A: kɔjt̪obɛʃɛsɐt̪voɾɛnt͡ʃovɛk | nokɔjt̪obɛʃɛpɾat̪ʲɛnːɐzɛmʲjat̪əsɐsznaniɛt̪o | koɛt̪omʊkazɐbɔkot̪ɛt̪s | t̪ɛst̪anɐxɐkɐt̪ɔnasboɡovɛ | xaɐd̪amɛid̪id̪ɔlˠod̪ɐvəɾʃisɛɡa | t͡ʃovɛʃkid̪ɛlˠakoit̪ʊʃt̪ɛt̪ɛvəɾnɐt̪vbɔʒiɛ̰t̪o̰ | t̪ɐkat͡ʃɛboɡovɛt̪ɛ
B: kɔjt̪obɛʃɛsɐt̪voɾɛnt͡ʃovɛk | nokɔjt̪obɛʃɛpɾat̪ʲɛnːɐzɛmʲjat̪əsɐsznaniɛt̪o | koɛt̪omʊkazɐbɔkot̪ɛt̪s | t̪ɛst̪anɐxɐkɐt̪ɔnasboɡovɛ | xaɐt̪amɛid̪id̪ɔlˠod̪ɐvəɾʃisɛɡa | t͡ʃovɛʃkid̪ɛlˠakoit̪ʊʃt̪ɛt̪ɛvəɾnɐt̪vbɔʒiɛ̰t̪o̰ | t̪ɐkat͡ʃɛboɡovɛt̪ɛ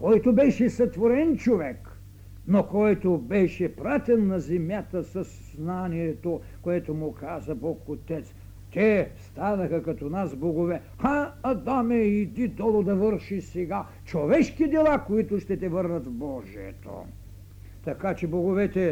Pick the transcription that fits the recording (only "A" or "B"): A